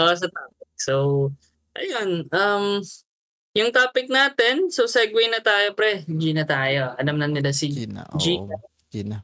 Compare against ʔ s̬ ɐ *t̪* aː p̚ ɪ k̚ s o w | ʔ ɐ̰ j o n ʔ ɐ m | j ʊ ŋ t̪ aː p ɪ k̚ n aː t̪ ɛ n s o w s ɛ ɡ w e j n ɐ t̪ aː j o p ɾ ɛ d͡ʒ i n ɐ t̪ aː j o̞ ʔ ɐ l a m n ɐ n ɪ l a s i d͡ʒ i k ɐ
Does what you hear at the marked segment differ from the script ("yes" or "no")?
no